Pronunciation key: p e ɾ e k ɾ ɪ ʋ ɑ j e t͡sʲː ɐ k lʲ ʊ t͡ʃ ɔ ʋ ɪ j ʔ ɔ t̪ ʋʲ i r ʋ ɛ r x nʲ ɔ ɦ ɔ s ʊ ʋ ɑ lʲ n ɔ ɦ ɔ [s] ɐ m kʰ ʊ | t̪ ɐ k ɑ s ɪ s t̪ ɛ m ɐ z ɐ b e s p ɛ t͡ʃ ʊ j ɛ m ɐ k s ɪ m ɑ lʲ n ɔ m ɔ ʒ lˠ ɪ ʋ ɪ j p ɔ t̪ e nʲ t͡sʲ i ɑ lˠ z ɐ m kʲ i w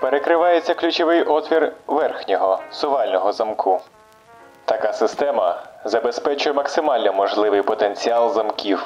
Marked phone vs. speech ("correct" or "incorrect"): incorrect